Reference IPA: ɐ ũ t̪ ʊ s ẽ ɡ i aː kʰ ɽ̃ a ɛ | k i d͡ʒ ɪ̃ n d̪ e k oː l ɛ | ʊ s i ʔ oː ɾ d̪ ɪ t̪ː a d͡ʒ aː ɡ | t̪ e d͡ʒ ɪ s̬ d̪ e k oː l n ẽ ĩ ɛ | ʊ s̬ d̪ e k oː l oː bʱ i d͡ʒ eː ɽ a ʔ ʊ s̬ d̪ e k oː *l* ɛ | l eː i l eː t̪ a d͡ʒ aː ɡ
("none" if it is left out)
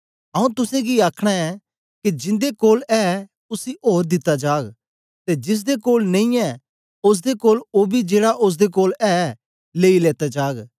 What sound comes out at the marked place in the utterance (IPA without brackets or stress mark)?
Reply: l